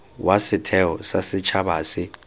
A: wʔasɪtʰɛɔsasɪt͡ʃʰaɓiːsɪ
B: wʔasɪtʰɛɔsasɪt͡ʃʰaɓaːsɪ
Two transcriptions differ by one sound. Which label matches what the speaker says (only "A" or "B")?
B